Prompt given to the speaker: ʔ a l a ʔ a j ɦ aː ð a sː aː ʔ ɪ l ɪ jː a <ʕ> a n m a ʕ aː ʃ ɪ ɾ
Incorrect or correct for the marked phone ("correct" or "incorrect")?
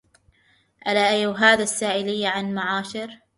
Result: correct